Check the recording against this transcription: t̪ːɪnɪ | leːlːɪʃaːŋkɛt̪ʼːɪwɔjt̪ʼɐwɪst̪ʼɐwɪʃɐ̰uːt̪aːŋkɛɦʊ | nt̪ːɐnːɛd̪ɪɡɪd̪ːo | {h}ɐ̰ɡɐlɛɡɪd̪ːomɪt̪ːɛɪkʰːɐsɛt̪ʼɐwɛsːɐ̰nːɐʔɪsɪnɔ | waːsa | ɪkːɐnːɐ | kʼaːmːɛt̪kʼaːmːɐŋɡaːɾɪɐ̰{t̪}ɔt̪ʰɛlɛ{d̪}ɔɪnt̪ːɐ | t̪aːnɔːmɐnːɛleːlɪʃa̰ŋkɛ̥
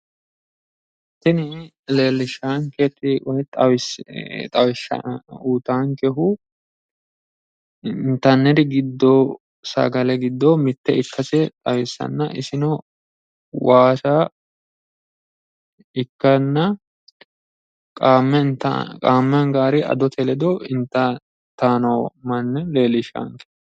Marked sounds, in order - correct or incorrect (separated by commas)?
incorrect, incorrect, correct